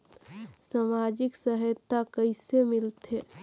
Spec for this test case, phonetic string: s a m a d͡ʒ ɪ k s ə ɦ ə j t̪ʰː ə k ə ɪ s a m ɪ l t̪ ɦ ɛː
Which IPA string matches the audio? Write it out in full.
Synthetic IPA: s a m a d͡ʒ ɪ k s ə ɦ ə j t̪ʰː a k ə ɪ s e m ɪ l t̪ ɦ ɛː